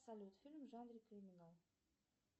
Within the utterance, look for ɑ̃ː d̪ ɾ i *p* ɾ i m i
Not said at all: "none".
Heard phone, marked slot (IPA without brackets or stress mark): k